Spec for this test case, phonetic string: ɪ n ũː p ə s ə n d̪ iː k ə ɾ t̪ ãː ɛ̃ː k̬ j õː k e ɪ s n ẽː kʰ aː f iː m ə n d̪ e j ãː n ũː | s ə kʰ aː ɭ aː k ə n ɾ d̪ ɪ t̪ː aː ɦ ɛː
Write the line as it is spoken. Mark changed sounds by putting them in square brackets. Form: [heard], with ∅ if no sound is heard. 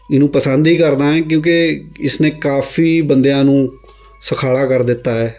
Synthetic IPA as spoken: ɪ n ũː p ə s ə n d̪ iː k ə ɾ [d̪] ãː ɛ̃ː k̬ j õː k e ɪ s n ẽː [k] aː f iː [b] ə n d̪ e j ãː n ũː | s ə kʰ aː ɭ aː k ə [∅] ɾ d̪ ɪ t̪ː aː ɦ ɛː